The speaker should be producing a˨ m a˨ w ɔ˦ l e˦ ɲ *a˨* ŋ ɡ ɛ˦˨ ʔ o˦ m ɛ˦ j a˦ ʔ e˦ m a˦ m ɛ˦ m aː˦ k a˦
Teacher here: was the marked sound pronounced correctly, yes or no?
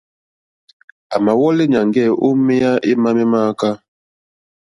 yes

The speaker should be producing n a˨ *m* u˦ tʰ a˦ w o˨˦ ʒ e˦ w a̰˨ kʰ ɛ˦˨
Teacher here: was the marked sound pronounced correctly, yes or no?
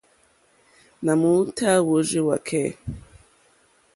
yes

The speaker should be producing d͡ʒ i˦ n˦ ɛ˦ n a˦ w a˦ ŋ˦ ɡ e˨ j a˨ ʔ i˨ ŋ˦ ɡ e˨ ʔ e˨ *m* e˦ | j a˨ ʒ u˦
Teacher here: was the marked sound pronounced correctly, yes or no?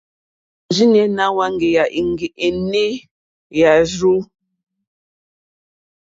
no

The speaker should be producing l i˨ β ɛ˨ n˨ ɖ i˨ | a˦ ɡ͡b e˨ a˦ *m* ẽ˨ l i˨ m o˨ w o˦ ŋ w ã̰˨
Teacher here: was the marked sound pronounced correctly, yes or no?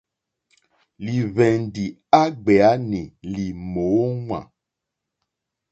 no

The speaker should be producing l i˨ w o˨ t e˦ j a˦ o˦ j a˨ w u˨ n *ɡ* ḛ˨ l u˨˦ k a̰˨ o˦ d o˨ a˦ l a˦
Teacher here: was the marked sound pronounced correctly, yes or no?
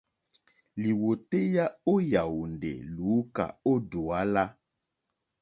no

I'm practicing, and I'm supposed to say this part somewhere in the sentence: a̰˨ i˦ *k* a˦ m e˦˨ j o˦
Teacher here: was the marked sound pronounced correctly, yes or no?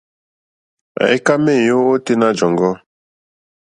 yes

